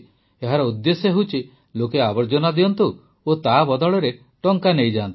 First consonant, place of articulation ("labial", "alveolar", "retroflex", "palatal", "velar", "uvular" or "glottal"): glottal